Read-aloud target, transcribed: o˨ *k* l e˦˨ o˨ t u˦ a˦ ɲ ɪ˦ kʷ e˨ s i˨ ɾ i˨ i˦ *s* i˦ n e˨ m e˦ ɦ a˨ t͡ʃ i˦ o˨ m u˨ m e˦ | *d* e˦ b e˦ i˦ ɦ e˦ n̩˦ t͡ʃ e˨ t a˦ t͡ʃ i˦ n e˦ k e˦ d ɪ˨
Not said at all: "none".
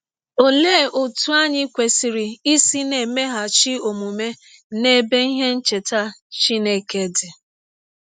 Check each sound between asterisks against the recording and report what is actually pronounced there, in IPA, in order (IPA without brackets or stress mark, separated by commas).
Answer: none, s, n